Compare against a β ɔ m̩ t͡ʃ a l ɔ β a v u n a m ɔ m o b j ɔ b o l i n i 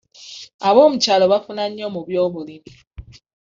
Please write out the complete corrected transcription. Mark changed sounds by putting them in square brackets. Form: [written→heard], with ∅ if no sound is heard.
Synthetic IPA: a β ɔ m̩ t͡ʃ a l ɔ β a [v→f] u n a [m→ɲ] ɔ m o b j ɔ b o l i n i